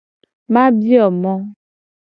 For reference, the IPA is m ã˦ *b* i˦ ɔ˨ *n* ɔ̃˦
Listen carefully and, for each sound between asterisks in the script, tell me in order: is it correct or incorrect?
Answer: correct, incorrect

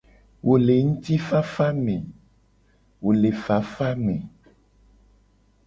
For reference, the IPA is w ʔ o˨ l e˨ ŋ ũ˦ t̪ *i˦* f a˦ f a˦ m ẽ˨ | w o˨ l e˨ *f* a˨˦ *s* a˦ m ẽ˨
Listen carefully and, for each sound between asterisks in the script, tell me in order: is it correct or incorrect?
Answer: correct, correct, incorrect

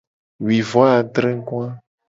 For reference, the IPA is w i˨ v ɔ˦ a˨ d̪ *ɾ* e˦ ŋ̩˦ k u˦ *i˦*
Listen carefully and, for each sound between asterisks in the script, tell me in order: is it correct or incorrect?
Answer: correct, incorrect

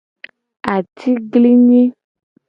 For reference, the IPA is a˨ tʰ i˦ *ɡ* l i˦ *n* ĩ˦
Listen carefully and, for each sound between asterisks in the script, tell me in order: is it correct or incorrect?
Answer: correct, incorrect

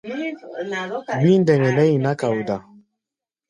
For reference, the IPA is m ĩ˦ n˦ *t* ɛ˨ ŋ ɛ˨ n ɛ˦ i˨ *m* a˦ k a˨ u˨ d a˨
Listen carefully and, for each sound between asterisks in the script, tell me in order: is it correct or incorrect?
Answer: incorrect, incorrect

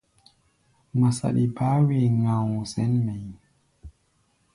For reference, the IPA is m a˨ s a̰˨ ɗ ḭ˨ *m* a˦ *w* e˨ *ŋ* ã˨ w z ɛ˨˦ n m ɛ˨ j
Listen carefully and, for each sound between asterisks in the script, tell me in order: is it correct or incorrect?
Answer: incorrect, correct, correct

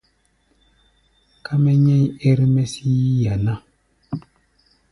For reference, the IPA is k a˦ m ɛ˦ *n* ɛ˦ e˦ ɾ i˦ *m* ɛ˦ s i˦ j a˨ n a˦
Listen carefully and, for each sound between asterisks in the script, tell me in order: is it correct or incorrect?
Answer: incorrect, correct

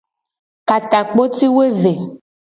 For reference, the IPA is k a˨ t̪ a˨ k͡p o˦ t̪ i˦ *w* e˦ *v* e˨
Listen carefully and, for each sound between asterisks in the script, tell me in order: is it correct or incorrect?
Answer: correct, correct

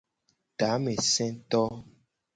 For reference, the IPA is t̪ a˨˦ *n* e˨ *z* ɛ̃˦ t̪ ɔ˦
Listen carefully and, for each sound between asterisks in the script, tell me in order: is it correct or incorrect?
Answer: incorrect, incorrect

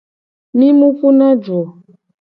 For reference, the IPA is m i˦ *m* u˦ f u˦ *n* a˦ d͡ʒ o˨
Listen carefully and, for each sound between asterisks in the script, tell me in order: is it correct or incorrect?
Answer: correct, correct

